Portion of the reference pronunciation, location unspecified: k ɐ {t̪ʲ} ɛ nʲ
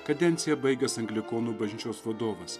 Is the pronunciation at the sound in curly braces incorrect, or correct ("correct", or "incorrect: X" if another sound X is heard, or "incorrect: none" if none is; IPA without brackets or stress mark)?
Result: incorrect: d̪ʲ